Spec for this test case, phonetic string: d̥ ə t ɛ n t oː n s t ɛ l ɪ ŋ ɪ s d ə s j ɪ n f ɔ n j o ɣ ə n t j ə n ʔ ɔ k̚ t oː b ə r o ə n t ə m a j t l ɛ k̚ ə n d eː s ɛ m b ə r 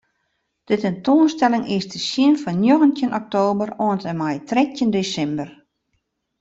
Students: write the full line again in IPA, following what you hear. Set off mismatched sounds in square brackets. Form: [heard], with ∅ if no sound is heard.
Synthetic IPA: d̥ ə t ɛ n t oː n s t ɛ l ɪ ŋ ɪ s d ə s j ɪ n f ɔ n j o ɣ ə n t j ə n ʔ ɔ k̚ t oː b ə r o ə n t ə m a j t [r] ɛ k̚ ə n d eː s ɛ m b ə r